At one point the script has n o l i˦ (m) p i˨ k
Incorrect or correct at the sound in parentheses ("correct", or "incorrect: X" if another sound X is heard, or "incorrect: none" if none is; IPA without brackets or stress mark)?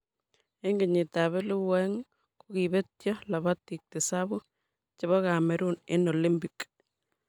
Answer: correct